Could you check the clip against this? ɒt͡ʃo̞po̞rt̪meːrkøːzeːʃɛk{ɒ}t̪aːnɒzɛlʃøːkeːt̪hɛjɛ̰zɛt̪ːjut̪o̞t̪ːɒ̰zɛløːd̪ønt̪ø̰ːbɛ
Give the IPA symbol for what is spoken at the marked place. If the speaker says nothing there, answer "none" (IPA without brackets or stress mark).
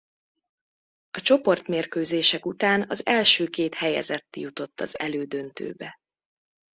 u